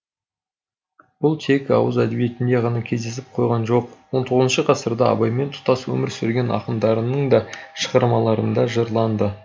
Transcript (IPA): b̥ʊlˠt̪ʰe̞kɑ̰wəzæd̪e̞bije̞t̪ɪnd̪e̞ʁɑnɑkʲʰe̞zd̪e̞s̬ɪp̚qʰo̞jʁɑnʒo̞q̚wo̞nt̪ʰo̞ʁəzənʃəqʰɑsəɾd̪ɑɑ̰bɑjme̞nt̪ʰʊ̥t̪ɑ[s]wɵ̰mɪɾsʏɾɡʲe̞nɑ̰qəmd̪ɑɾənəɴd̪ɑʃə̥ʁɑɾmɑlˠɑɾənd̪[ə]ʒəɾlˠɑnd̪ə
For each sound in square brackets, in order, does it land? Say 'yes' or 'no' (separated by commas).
yes, no